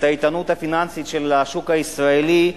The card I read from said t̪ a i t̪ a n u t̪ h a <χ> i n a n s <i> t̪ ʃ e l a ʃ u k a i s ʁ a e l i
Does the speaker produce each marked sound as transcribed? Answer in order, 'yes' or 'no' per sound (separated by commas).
no, yes